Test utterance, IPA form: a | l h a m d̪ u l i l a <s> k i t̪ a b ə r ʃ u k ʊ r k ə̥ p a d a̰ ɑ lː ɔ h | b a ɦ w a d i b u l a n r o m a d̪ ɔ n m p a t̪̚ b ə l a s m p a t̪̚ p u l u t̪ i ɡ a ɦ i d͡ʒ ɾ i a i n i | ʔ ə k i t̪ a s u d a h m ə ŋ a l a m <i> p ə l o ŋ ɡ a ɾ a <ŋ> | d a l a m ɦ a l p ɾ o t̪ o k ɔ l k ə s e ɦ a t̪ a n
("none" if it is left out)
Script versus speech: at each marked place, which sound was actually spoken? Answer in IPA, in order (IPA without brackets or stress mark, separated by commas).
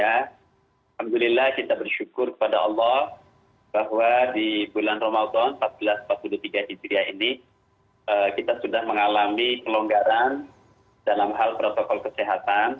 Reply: h, i, n